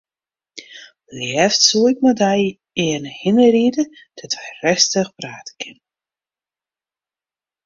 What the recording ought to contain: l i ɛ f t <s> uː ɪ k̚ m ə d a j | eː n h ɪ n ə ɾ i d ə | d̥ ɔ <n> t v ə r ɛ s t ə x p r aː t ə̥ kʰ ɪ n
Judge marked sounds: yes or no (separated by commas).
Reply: yes, no